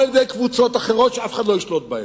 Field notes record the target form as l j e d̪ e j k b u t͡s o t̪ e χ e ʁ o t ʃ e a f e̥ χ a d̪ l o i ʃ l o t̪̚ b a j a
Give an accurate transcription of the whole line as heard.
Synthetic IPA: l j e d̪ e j k v u t͡s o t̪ a χ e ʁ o t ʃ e a f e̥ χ a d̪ l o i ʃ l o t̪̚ b a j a